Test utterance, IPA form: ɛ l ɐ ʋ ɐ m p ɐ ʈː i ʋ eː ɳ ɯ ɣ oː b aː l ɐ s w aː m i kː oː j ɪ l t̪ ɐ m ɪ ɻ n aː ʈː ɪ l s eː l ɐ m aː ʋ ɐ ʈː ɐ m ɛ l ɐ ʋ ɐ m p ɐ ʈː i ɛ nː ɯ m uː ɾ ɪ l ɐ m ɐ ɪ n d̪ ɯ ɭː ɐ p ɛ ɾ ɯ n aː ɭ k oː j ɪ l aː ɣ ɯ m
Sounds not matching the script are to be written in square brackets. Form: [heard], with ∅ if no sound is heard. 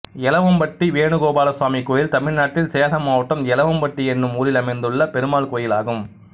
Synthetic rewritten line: ɛ l ɐ ʋ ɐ m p ɐ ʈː i ʋ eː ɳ ɯ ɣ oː b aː l ɐ s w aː m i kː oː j ɪ l t̪ ɐ m ɪ ɻ n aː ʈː ɪ l s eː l ɐ m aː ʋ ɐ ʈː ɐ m ɛ l ɐ ʋ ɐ m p ɐ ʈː i ɛ nː ɯ m uː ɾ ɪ l ɐ m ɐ ɪ n d̪ ɯ ɭː ɐ p ɛ ɾ ɯ [m] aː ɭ k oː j ɪ l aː ɣ ɯ m